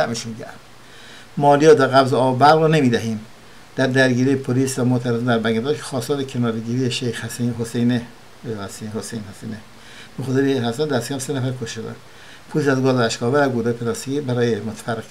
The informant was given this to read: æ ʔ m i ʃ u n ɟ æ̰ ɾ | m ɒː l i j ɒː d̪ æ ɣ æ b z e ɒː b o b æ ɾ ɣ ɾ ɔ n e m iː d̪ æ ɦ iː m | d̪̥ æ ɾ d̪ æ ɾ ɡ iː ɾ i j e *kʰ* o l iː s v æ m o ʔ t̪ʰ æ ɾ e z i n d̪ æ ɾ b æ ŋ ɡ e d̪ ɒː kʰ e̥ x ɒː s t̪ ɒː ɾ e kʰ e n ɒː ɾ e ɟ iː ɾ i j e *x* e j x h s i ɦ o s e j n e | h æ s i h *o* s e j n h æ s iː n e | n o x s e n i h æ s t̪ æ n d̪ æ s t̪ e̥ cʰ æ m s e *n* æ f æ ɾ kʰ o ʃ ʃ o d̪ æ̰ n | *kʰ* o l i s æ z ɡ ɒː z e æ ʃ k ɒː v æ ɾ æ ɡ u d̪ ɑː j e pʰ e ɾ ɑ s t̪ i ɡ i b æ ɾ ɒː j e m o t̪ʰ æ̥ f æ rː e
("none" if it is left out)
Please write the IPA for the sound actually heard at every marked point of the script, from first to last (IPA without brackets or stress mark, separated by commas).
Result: pʰ, ʃ, o, n, pʰ